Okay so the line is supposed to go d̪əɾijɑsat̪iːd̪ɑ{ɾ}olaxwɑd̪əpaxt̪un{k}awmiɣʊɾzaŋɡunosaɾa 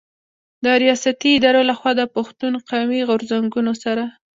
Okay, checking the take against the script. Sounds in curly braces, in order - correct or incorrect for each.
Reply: correct, incorrect

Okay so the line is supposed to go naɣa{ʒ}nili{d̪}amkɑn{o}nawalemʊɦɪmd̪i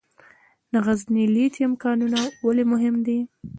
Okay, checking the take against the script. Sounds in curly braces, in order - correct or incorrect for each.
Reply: incorrect, incorrect, incorrect

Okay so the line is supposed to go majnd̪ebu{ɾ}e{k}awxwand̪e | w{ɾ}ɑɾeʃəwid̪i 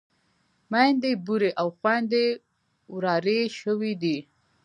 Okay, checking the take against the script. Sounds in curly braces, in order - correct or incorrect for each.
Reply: correct, incorrect, correct

